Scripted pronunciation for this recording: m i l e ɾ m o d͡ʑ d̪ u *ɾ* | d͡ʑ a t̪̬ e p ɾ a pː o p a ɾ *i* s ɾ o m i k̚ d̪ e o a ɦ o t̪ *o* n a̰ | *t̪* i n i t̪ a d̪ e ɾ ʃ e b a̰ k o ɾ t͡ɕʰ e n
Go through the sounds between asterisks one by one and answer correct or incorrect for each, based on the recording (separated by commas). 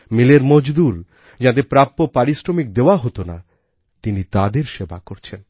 correct, correct, correct, correct